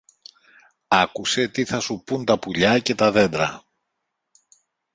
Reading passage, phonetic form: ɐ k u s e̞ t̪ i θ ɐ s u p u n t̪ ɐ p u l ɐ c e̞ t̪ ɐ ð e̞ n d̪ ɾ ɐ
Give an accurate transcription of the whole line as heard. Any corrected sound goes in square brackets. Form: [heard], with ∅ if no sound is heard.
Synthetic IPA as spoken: ɐ k u s e̞ t̪ i θ ɐ s u p u n t̪ ɐ p u [ʎ] ɐ c e̞ t̪ ɐ ð e̞ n d̪ ɾ ɐ